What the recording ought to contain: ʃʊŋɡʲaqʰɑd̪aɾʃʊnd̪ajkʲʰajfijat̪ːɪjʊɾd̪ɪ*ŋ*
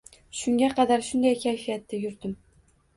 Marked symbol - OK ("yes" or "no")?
no